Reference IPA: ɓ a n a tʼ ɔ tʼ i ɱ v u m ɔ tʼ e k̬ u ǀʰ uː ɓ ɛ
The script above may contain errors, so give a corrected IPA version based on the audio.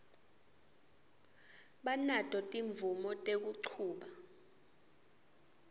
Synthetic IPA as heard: ɓ a n a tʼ ɔ tʼ i ɱ v u m ɔ tʼ e k̬ u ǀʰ uː ɓ a